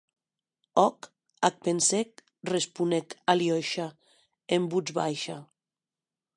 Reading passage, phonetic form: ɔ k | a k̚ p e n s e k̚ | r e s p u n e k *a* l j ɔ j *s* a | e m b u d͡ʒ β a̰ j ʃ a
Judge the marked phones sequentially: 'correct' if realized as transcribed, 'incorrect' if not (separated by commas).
correct, incorrect